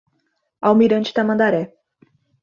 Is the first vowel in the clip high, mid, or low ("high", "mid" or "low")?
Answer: low